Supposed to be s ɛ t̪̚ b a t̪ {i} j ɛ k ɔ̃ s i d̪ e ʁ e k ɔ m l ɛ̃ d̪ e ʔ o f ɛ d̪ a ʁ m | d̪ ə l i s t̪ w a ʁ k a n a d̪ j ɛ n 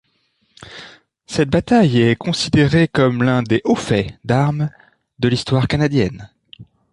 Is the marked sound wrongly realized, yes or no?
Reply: yes